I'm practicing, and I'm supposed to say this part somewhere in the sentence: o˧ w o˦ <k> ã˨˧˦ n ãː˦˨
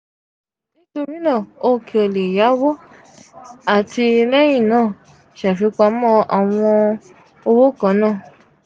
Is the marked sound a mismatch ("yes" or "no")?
no